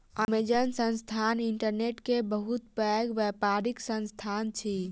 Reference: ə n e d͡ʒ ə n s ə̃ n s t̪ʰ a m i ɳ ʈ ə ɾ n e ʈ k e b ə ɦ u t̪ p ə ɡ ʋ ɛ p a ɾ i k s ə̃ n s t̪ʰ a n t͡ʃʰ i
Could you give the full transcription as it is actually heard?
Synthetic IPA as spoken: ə m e d͡ʒ ə n s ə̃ n s t̪ʰ a n i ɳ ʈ ə ɾ n e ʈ k e b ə ɦ u t̪ p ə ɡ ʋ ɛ p a ɾ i k s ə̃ n s t̪ʰ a n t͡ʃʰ i